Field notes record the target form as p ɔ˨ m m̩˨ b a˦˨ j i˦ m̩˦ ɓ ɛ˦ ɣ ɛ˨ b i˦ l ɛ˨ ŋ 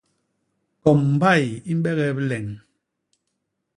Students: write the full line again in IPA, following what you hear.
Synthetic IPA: k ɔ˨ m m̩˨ b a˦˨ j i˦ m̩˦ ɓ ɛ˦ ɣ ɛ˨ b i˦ l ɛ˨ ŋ